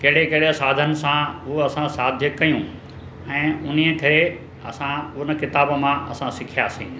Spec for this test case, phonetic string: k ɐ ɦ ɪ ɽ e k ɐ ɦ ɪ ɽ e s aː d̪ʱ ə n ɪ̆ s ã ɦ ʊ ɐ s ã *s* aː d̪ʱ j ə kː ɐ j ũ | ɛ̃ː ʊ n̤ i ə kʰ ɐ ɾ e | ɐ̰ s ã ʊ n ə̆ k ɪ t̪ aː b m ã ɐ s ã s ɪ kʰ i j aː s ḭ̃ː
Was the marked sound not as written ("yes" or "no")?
no